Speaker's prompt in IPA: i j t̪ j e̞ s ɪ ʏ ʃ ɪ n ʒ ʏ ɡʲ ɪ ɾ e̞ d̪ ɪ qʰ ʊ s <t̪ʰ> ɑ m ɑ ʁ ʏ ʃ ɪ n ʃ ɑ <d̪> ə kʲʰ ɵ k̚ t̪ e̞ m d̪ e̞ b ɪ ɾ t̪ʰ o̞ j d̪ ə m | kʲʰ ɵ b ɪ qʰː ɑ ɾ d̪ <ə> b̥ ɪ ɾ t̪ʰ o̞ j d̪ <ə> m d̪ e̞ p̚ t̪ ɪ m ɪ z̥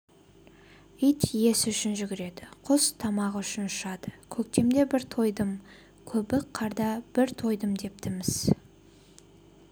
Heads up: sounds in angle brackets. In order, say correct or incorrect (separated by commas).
correct, correct, incorrect, correct